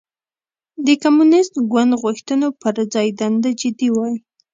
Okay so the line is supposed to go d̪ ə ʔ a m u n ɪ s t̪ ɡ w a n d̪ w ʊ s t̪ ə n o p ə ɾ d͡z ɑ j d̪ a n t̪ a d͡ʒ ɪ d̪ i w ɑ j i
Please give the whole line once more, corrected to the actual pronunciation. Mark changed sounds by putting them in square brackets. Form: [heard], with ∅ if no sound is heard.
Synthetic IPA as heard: d̪ ə [k] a m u n ɪ s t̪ ɡ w a n d̪ [ɣ] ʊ [x] t̪ ə n o p ə ɾ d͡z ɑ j d̪ a n [d̪] a d͡ʒ ɪ d̪ i w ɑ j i